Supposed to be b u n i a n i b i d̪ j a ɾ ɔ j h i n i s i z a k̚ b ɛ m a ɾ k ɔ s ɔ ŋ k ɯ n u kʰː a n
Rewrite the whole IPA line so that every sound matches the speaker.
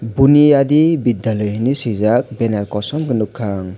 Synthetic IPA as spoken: b u n i a d i b i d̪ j a l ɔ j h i n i s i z a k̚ b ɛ n a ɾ k ɔ s ɔ m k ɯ n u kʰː a ŋ